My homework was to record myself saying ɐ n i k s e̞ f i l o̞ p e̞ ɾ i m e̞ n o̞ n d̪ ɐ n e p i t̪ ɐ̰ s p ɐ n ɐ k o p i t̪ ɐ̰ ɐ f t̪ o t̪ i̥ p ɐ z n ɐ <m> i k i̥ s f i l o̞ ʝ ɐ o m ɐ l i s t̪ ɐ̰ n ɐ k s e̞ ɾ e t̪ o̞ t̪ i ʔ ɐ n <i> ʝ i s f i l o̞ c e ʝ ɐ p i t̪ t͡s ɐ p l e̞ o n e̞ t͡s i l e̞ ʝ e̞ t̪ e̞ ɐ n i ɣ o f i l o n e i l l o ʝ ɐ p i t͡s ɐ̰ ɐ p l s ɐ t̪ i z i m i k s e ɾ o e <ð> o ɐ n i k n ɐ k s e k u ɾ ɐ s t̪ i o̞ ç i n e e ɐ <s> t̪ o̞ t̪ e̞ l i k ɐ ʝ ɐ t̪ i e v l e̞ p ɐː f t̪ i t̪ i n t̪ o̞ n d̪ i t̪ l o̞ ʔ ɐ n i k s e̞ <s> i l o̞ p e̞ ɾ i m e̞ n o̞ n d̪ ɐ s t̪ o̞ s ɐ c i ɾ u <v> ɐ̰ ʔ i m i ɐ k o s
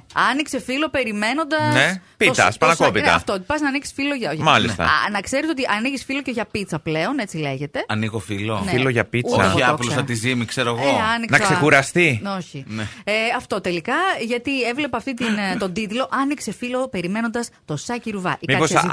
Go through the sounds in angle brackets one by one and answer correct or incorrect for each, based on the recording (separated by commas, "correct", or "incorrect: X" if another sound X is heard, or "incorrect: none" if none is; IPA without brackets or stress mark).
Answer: incorrect: n, correct, incorrect: ɣ, incorrect: f, incorrect: f, correct